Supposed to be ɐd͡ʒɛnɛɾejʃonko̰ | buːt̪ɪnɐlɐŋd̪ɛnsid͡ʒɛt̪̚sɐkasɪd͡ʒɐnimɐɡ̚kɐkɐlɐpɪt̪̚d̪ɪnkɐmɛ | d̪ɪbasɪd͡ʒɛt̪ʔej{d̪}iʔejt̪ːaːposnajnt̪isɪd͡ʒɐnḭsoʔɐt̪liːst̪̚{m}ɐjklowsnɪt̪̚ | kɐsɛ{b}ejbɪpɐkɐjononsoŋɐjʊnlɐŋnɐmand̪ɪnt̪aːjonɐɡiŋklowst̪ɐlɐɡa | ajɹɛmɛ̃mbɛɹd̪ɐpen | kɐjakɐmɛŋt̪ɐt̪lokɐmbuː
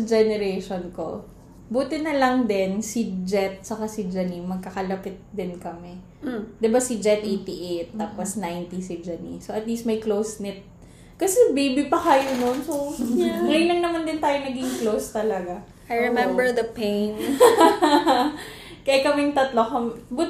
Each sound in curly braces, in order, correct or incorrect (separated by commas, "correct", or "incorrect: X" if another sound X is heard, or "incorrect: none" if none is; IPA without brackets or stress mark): incorrect: t̪, correct, correct